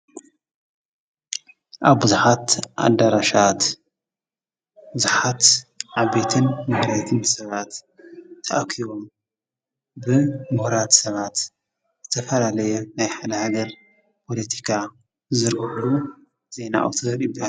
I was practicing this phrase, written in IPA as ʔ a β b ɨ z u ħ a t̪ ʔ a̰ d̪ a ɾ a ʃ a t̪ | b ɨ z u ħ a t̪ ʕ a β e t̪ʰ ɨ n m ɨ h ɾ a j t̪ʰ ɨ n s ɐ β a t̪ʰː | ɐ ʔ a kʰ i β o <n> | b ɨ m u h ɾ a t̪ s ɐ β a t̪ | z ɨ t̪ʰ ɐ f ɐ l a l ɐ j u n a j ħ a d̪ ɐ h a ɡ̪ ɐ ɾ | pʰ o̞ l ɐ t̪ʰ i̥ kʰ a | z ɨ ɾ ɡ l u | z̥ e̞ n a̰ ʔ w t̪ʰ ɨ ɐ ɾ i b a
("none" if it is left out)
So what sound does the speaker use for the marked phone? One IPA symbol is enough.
m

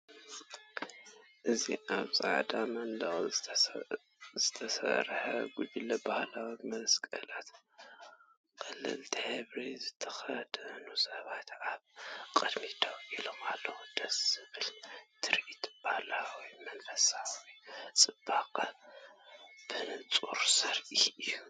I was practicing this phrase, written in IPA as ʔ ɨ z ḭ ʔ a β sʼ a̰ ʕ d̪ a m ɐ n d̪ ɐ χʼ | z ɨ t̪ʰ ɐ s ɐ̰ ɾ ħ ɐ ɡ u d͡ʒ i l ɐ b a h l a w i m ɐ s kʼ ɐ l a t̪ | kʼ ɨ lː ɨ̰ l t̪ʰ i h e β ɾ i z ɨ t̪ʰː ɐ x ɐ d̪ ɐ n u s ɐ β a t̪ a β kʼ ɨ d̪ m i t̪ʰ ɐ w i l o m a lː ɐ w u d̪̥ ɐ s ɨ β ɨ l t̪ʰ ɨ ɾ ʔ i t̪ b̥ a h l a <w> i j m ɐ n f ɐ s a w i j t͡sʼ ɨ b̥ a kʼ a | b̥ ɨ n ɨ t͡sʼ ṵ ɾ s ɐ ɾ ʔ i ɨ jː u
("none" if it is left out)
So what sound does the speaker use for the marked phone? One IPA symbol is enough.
w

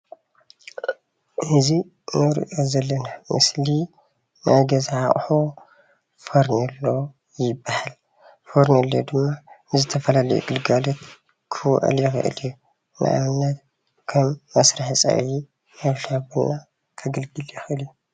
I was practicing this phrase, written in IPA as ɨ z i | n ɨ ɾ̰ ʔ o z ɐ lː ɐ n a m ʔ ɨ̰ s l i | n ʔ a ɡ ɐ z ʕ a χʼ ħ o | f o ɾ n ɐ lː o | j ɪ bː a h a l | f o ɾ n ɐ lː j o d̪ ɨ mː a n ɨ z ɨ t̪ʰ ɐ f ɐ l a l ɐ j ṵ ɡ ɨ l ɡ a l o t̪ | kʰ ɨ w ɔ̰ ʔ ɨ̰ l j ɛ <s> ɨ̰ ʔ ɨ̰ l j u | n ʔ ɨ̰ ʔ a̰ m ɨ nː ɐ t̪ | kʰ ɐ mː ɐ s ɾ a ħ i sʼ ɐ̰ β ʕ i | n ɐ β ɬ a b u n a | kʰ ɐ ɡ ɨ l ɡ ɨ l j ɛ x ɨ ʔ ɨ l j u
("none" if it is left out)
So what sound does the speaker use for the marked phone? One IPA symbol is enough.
x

